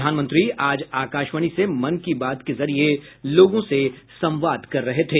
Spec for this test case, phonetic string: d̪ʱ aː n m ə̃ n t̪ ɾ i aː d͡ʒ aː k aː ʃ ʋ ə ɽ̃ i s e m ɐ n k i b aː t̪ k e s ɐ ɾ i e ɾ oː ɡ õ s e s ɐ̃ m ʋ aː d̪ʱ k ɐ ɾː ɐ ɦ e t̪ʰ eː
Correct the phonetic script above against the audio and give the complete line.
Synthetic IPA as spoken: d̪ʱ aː n m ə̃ n t̪ ɾ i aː d͡ʒ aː k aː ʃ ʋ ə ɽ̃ i s e m ɐ n k i b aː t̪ k e z ɐ ɾ i e l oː ɡ õ s e s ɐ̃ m ʋ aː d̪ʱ k ɐ ɾː ɐ ɦ e t̪ʰ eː